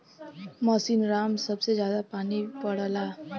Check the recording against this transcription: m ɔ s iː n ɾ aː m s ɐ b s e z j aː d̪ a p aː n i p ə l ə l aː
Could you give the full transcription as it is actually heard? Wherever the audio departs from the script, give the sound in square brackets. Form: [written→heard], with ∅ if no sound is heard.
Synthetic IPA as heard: m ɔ s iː n ɾ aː m s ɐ b s e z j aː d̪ a p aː n i p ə [l→ɽ] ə l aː